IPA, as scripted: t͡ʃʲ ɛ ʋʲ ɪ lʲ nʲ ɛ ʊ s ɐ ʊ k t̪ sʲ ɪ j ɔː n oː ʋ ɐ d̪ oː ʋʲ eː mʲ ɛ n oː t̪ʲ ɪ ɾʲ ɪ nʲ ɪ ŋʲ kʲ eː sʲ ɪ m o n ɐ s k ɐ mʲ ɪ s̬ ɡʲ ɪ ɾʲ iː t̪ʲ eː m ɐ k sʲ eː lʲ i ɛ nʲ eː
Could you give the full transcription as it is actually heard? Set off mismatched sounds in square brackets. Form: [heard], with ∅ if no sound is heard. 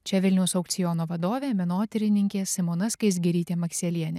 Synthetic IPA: t͡ʃʲ ɛ ʋʲ ɪ lʲ nʲ ɛ ʊ s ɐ ʊ k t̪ sʲ ɪ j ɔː n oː ʋ ɐ d̪ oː ʋʲ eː mʲ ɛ n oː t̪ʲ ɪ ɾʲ ɪ nʲ ɪ ŋʲ kʲ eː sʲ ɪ m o n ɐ s k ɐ [∅] ɪ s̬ ɡʲ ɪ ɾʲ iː t̪ʲ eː m ɐ k sʲ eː lʲ i ɛ nʲ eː